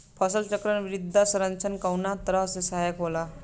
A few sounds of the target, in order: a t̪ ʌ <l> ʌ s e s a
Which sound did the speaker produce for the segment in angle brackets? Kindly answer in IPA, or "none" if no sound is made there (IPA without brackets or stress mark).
ɾ